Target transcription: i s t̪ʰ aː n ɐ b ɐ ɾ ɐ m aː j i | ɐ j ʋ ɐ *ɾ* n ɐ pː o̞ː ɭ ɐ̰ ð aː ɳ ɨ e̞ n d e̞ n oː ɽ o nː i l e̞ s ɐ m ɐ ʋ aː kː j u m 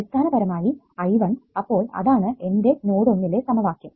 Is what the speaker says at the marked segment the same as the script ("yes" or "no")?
no